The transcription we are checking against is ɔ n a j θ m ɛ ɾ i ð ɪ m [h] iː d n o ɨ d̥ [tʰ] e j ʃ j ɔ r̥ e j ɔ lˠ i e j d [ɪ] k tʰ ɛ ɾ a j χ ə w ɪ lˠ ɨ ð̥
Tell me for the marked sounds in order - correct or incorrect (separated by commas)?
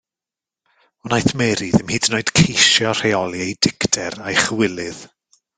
correct, incorrect, correct